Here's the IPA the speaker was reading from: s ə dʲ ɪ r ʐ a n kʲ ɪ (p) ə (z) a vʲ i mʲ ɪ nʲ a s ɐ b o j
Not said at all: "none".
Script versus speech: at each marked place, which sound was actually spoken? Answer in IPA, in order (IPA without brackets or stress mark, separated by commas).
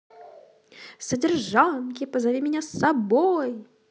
p, z